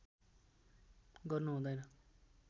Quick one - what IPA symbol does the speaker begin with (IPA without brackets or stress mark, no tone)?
ɡ